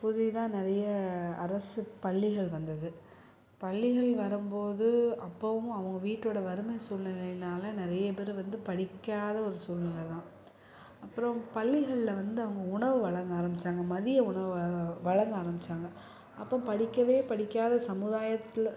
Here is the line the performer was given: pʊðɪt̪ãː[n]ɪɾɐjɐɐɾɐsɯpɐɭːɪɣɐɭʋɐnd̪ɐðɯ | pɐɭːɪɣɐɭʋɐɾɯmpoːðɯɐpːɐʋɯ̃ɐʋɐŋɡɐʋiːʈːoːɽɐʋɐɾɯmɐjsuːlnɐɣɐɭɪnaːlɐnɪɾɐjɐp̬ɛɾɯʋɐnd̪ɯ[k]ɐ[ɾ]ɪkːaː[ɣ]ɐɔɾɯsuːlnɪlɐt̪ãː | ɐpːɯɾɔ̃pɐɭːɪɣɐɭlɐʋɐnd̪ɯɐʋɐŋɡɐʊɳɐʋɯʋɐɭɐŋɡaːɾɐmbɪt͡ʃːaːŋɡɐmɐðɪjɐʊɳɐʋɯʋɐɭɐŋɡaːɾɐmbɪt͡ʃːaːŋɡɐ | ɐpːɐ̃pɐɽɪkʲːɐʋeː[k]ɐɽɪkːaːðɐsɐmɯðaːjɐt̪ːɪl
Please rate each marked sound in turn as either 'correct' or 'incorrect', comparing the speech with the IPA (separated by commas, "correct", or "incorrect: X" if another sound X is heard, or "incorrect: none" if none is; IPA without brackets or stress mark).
correct, incorrect: p, incorrect: ɽ, incorrect: ð, incorrect: p